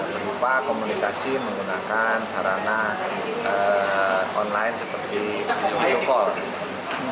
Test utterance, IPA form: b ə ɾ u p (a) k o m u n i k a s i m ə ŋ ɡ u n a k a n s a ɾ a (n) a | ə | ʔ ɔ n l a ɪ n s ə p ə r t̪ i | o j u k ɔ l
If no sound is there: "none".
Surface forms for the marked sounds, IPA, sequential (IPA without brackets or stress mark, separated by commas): a, n